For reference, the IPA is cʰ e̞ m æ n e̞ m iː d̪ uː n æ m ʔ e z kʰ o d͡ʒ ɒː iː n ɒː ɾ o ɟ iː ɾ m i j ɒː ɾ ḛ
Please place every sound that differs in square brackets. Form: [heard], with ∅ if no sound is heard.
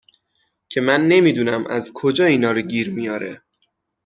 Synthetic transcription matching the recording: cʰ e̞ m æ [nː] e̞ m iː d̪ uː n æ m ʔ [æ] z kʰ o d͡ʒ ɒː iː n ɒː ɾ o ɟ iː ɾ m i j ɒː ɾ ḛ